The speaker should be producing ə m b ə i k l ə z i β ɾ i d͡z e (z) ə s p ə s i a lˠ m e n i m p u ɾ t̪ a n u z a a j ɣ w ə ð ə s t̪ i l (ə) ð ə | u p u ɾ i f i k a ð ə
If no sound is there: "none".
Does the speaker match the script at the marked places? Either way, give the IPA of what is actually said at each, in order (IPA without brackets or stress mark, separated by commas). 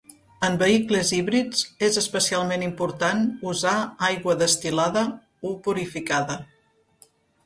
z, a